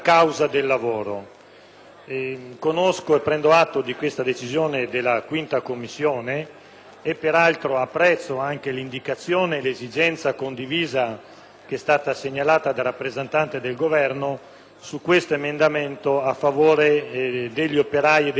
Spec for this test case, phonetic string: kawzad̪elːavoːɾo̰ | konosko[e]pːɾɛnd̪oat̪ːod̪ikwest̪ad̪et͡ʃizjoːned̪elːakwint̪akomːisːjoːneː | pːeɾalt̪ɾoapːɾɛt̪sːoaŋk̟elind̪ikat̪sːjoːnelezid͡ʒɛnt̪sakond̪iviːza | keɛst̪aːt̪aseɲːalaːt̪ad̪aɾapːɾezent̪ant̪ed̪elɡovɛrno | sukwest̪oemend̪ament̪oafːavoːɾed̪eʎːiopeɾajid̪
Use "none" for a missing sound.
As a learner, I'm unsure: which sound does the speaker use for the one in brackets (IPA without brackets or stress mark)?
e